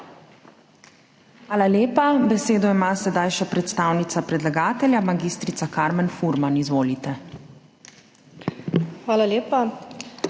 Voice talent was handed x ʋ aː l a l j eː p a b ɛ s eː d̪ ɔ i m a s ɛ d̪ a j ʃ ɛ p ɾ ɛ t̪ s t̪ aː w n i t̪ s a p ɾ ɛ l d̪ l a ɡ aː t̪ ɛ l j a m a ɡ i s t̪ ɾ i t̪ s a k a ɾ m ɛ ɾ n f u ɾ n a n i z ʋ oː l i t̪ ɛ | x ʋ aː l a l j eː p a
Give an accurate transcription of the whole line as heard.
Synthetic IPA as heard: x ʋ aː l a l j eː p a b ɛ s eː d̪ ɔ i m a s ɛ d̪ a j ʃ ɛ p ɾ ɛ t̪ s t̪ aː w n i t̪ s a p ɾ ɛ d̪ l a ɡ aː t̪ ɛ l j a m a ɡ i s t̪ ɾ i t̪ s a k a ɾ m ɛ n f u ɾ m a n i z ʋ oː l i t̪ ɛ | x ʋ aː l a l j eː p a